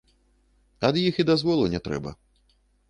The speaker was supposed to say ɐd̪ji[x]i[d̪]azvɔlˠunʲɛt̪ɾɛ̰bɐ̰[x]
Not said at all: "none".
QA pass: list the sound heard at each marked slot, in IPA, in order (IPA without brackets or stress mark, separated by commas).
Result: x, d̪, none